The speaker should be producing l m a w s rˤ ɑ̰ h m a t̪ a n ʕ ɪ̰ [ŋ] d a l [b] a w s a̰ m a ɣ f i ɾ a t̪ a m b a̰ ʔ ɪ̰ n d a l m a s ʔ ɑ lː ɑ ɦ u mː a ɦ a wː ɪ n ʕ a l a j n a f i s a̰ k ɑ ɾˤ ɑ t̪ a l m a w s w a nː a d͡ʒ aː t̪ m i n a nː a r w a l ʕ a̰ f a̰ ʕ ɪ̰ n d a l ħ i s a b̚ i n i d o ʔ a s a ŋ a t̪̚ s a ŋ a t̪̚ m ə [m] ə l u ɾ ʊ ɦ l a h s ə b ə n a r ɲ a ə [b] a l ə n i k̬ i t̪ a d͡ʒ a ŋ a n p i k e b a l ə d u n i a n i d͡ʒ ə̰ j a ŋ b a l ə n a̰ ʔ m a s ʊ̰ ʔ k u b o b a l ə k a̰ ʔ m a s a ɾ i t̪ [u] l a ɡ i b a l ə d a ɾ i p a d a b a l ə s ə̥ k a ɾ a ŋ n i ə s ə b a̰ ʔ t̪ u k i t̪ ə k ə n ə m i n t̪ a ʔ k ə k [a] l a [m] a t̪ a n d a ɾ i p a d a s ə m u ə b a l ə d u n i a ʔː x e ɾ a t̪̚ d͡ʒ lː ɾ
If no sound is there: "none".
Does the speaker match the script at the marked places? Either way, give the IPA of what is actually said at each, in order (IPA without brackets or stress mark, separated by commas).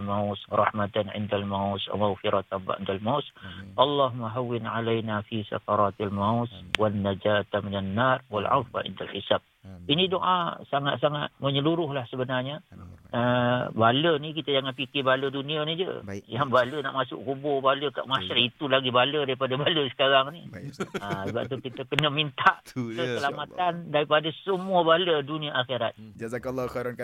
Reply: n, m, ɲ, b, u, ə, m